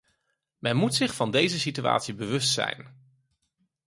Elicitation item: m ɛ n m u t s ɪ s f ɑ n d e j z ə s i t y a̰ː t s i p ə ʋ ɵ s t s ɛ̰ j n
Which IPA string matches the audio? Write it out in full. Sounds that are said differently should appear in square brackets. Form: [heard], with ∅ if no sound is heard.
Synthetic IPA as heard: m ɛ n m u t s ɪ [χ] f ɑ n d e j z ə s i t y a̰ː t s i [b] ə ʋ ɵ s t s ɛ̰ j n